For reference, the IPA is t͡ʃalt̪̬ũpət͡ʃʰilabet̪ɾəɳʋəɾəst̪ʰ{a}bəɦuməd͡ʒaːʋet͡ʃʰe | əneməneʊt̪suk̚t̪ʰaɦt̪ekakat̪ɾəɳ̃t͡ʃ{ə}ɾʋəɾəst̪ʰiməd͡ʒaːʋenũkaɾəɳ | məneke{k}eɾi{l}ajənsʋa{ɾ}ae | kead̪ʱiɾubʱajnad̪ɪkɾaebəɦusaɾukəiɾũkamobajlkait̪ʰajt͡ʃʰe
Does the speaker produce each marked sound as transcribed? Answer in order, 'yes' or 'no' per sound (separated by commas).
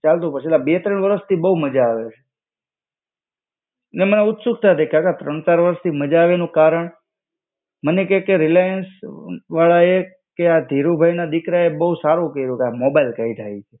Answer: no, no, yes, yes, no